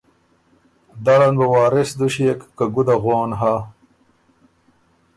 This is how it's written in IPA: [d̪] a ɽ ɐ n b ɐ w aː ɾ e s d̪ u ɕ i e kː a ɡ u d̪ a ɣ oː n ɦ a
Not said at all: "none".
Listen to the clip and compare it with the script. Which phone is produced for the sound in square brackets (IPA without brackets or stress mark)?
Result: d̪